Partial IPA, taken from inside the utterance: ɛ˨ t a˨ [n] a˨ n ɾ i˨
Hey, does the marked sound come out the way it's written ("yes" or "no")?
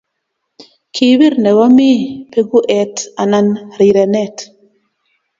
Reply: yes